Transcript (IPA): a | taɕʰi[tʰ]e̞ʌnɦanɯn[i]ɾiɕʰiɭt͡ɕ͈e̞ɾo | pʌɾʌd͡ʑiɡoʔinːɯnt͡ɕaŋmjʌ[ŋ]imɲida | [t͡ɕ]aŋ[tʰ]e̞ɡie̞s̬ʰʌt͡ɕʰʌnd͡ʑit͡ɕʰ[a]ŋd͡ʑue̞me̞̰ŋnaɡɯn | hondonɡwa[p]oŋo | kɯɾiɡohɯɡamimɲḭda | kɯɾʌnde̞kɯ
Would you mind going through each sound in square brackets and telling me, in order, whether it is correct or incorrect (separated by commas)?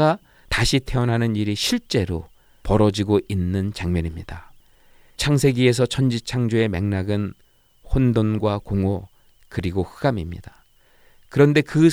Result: correct, correct, incorrect, incorrect, incorrect, correct, incorrect